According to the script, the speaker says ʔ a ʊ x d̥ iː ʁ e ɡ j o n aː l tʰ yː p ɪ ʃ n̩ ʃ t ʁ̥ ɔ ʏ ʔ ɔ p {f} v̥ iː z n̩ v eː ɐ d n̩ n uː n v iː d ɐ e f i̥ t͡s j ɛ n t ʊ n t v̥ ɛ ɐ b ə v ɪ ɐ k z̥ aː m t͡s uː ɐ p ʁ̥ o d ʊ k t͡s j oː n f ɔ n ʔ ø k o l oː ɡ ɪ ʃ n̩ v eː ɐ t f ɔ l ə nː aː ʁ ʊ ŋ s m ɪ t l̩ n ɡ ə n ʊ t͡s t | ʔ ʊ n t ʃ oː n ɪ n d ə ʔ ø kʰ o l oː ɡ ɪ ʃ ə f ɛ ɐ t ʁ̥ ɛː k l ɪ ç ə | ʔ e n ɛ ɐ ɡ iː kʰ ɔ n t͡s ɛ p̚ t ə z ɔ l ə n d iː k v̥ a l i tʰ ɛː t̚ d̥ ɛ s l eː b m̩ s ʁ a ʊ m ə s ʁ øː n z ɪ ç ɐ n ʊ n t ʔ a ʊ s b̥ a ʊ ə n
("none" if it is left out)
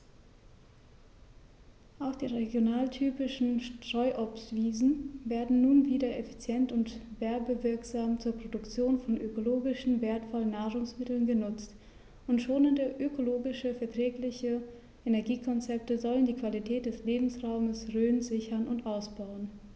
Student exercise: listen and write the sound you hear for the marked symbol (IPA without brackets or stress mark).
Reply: s